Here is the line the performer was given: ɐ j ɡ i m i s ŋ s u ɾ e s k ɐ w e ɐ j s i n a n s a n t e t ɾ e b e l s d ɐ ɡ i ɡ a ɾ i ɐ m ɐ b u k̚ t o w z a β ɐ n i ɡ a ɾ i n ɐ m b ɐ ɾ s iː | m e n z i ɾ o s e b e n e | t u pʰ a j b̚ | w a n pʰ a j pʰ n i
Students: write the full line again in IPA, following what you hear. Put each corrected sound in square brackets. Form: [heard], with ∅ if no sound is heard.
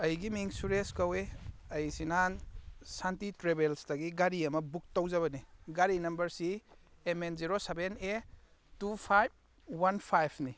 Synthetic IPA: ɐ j ɡ i m i [∅] ŋ s u ɾ e s k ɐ w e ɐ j s i n a n s a n t [i] t ɾ e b e l s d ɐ ɡ i ɡ a ɾ i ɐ m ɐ b u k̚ t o w z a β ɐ n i ɡ a ɾ i n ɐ m b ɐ ɾ s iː | m e n z i ɾ o s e b e n e | t u pʰ a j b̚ | w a n pʰ a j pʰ n i